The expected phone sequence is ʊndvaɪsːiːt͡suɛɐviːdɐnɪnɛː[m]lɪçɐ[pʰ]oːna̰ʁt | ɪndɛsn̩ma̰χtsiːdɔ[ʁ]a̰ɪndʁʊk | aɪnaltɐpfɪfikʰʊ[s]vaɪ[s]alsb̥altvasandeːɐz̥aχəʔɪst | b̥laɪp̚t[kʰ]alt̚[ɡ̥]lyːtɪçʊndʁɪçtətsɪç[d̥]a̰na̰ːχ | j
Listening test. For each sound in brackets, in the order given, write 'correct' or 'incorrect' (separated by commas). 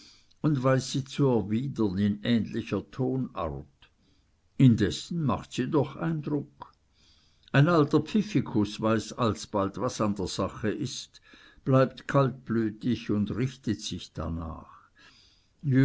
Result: incorrect, incorrect, incorrect, correct, correct, correct, incorrect, correct